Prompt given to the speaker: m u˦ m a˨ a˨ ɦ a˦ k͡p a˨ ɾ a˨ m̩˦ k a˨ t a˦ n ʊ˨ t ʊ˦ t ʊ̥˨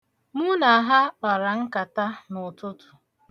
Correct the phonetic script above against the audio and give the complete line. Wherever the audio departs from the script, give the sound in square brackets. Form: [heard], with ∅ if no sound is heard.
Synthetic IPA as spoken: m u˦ [n] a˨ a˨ ɦ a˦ k͡p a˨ ɾ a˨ [ŋ̩˦] k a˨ t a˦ n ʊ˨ t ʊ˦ t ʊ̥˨